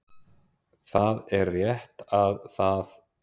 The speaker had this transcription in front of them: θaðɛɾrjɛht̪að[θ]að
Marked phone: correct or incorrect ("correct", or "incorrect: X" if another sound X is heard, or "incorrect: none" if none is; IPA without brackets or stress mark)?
correct